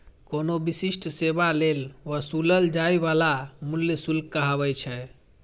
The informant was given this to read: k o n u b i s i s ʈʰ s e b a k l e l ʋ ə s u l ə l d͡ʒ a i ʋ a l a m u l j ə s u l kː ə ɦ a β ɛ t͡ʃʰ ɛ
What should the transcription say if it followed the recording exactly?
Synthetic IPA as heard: k o n o b i s i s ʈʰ s e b a l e l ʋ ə s u l ə l d͡ʒ a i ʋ a l a m u l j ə s u l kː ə ɦ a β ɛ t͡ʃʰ ɛ